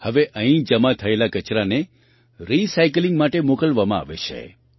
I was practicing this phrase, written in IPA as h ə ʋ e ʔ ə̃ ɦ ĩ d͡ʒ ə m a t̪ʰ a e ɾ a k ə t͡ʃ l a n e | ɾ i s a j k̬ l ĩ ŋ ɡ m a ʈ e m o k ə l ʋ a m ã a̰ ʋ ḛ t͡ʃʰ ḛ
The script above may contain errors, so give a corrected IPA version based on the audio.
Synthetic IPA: h ə ʋ e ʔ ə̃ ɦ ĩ d͡ʒ ə m a t̪ʰ ə e l a k ə t͡ʃ ɾ a n e | ɾ i s a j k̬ l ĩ ŋ ɡ m a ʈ e m o k ə l ʋ a m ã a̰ ʋ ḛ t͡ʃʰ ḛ